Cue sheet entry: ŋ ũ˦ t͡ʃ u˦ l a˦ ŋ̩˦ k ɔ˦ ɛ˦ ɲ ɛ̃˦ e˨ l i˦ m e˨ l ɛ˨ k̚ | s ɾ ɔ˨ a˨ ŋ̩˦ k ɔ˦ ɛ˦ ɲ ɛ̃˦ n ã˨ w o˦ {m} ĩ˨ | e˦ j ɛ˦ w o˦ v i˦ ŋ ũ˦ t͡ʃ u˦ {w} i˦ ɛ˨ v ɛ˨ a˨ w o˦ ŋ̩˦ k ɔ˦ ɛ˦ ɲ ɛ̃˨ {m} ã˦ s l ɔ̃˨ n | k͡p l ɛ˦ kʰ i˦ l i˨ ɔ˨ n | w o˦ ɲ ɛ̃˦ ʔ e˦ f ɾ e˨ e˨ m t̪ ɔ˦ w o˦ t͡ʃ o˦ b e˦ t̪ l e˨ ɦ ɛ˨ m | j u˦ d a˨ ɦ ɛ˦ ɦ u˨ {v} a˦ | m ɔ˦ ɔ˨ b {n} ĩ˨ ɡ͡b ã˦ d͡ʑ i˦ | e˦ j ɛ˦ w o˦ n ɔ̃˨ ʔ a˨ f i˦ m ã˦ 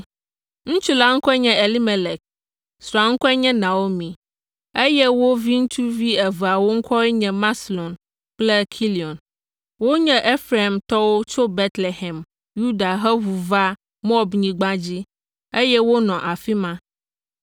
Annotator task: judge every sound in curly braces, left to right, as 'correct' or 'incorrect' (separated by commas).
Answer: correct, incorrect, correct, correct, incorrect